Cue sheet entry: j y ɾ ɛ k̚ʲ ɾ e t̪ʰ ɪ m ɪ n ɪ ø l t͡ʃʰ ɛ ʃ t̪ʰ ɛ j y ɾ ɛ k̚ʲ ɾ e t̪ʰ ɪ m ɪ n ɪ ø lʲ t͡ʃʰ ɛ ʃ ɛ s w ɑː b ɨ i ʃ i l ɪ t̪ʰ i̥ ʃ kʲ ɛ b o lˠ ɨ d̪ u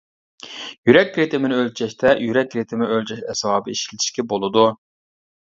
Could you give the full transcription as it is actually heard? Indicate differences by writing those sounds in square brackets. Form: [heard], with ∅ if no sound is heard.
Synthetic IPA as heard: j y ɾ ɛ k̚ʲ ɾ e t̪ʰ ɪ m ɪ n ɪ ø l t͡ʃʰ ɛ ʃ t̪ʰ ɛ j y ɾ ɛ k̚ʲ ɾ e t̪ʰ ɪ m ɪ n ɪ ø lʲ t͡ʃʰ ɛ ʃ ɛ s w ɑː b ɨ i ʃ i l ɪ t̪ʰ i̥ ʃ kʲ ɛ b o lˠ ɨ d̪ u